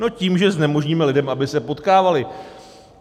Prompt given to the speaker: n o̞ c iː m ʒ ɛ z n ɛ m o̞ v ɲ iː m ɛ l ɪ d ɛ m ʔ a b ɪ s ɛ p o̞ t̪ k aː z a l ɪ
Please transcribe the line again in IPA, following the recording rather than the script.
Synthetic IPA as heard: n o̞ c iː m ʒ ɛ z n ɛ m o̞ ʒ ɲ iː m ɛ l ɪ d ɛ m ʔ a b ɪ s ɛ p o̞ t̪ k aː v a l ɪ